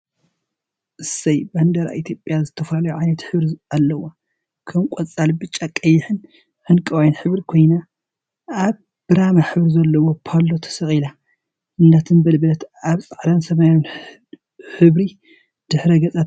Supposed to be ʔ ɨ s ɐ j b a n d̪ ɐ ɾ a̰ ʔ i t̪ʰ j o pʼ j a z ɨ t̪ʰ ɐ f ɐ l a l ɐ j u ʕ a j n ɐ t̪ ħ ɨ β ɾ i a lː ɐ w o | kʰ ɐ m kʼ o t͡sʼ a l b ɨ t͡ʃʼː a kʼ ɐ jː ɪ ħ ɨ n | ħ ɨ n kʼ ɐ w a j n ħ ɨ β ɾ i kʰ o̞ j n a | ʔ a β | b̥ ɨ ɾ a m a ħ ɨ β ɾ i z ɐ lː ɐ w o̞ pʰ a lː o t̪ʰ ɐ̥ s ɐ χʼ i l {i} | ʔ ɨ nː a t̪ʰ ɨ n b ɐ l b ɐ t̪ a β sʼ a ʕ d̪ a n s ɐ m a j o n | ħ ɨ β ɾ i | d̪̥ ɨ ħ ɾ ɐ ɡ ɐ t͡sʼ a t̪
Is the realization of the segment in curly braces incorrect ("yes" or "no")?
yes